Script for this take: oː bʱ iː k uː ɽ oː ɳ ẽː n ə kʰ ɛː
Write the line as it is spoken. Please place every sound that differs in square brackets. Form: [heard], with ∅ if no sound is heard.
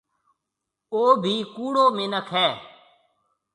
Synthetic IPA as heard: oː bʱ iː k uː ɽ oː [m] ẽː n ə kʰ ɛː

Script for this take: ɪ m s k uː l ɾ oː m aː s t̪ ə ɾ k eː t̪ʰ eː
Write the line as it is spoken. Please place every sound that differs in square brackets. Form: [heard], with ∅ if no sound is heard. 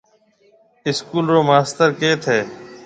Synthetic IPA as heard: ɪ [∅] s k uː l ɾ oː m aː s t̪ ə ɾ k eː t̪ʰ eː

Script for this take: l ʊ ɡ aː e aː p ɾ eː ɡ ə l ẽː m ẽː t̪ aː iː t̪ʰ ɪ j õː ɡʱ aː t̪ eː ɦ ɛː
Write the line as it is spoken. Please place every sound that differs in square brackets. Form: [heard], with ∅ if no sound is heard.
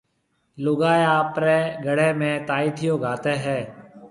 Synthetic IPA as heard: l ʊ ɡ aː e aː p ɾ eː ɡ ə [ɽ] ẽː m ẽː t̪ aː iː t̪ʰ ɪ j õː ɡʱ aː t̪ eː ɦ ɛː

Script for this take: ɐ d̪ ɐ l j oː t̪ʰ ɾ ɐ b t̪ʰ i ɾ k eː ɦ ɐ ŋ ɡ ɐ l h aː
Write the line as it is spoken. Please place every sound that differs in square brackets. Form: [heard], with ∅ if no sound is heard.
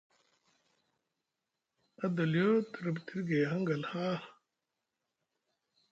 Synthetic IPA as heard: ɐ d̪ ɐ l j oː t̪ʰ ɾ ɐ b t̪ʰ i ɾ [ɡ] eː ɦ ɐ ŋ ɡ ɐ l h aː

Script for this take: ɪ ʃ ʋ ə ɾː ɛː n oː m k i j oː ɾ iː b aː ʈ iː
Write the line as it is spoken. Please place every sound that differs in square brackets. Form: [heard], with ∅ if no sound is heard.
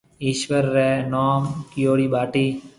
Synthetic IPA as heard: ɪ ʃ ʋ ə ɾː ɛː n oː m k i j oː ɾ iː b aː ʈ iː

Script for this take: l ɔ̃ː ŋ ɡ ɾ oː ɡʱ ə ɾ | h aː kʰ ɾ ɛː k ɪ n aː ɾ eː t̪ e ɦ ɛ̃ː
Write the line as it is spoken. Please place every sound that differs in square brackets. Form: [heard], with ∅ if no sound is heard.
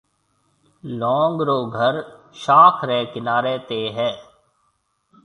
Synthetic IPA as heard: l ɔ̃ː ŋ ɡ ɾ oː ɡʱ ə ɾ | [ʃ] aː kʰ ɾ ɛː k ɪ n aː ɾ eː t̪ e ɦ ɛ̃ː

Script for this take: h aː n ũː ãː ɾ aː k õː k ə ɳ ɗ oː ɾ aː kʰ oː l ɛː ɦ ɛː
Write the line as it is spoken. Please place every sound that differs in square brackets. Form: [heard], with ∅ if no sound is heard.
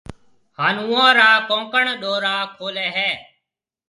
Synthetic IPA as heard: h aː n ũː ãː ɾ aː k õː k ə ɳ ɗ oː ɾ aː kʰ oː l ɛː ɦ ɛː

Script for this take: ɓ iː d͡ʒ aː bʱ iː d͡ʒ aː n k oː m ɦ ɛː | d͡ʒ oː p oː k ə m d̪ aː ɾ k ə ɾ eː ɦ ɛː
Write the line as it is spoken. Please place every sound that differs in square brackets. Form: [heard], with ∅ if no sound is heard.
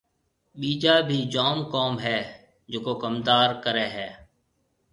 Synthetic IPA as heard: ɓ iː d͡ʒ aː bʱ iː d͡ʒ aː [m] k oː m ɦ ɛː | d͡ʒ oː [k] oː k ə m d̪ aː ɾ k ə ɾ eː ɦ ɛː

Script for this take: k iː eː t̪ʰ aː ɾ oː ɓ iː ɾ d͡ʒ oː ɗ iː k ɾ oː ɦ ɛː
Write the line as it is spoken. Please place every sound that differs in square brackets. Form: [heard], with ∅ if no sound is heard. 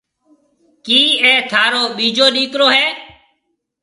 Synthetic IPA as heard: k iː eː t̪ʰ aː ɾ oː ɓ iː [∅] d͡ʒ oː ɗ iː k ɾ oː ɦ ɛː

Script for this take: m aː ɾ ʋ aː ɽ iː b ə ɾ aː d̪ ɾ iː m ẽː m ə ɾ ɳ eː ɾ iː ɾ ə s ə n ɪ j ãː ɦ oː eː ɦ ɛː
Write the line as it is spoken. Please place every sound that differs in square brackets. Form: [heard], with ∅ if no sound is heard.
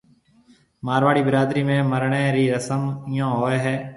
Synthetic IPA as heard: m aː ɾ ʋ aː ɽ iː b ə ɾ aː d̪ ɾ iː m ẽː m ə ɾ ɳ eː ɾ iː ɾ ə s ə [m] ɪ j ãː ɦ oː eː ɦ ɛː

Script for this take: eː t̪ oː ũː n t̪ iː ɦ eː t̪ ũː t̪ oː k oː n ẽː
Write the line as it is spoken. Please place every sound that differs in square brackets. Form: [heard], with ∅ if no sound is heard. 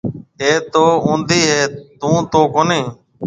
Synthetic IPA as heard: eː t̪ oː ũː n [d̪] iː ɦ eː t̪ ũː t̪ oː k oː n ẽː

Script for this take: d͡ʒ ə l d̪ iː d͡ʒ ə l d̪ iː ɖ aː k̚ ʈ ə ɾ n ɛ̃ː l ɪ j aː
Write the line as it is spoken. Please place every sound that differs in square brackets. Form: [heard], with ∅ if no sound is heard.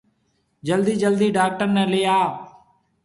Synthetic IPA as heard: d͡ʒ ə l d̪ iː d͡ʒ ə l d̪ iː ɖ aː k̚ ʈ ə ɾ n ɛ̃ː l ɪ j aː

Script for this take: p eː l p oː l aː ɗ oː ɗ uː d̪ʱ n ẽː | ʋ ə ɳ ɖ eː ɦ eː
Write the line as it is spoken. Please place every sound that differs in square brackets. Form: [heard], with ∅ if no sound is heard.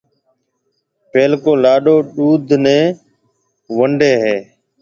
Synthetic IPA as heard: p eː l [k] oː l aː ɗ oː ɗ uː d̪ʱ n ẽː | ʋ ə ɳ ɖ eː ɦ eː

